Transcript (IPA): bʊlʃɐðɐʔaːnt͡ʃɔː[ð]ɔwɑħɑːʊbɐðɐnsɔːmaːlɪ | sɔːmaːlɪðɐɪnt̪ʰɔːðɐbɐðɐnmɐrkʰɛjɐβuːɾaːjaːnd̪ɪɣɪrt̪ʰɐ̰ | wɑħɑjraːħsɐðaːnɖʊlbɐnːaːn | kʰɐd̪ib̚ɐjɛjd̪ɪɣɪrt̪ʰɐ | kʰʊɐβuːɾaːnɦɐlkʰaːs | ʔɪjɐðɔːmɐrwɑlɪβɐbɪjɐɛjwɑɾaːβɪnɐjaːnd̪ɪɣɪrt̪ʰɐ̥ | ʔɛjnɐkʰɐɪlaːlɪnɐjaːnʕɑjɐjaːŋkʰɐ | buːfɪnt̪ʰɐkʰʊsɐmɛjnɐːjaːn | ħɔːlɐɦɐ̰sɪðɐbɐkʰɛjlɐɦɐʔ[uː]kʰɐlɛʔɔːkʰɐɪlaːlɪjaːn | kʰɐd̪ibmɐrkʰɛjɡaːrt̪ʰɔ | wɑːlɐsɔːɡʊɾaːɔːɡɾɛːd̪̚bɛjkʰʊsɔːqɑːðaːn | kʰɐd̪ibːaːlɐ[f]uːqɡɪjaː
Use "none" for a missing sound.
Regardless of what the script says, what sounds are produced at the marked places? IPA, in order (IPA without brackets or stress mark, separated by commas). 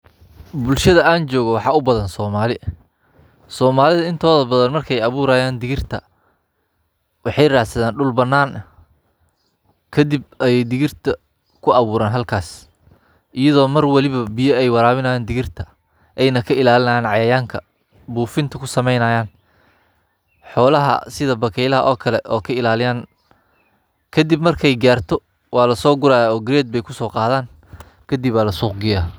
ɣ, ɔː, s